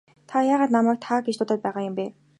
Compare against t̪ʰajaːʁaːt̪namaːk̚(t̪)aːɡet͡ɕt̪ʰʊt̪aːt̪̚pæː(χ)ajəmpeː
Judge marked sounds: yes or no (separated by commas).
no, no